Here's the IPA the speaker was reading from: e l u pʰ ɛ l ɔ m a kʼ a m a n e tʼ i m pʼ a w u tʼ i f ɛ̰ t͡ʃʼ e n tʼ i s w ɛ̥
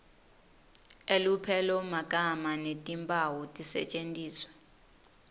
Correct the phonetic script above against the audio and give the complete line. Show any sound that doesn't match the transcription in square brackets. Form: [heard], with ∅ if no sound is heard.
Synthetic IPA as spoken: e l u pʰ ɛ l ɔ m a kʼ a m a n e tʼ i m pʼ a w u tʼ i [s] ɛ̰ t͡ʃʼ e n tʼ [iː] s w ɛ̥